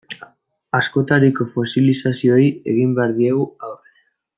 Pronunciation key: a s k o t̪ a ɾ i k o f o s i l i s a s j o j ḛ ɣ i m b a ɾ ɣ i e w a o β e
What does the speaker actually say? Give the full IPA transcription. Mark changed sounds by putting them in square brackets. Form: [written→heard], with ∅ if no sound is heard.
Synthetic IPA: a s k o t̪ a ɾ i k o f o s i l i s a s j o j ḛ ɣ i m b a ɾ [ɣ→ð] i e w a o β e